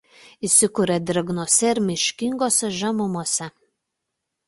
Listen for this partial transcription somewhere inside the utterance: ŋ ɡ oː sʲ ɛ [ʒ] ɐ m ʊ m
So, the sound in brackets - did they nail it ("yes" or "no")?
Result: yes